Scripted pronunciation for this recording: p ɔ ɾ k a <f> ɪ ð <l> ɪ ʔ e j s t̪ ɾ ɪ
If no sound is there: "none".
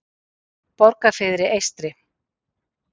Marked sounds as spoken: f, ɾ

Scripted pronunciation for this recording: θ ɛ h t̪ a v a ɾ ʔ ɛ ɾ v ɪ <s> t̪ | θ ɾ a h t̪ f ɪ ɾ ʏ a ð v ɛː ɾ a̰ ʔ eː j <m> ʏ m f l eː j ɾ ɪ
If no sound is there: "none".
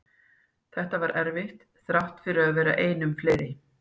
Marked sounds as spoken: h, n

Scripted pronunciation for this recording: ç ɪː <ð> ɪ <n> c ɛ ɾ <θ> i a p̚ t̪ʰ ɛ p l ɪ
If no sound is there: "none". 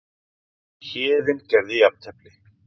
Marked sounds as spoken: ð, n, ð

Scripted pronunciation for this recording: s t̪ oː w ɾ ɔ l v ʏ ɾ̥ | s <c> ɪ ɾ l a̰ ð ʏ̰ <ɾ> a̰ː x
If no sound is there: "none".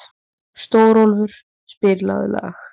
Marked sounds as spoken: p, l

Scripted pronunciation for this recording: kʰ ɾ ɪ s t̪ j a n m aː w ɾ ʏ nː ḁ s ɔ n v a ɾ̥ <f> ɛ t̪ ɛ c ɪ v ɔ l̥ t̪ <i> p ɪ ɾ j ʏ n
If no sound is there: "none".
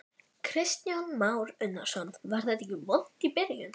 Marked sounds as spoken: θ, i

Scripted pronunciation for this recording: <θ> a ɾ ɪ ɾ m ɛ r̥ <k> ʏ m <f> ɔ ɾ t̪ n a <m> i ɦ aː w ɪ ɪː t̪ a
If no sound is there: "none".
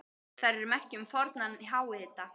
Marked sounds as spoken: θ, c, f, n

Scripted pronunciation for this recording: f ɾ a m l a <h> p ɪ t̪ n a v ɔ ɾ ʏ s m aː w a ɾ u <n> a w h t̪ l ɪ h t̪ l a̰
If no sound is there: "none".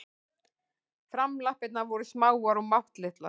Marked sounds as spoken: h, m

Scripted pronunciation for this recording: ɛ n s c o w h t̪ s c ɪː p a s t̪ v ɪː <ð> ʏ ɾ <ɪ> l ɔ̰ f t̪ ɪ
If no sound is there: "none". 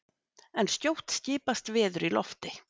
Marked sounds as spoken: ð, i

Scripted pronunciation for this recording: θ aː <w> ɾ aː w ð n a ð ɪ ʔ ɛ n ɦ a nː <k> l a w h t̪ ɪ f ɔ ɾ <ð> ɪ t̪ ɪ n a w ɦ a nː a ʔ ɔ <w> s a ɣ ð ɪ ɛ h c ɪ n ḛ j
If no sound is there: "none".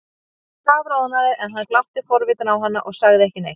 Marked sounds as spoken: v, k, v, ɣ

